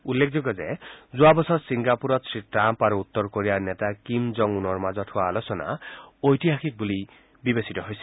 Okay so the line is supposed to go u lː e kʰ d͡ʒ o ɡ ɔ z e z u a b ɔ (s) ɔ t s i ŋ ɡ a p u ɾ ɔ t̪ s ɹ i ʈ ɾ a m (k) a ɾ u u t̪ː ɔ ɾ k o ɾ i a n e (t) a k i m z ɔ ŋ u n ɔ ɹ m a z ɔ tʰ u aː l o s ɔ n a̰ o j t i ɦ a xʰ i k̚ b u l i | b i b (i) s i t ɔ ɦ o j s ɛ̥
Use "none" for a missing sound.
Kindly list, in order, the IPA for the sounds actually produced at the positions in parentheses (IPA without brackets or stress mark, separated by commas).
s, p, t, e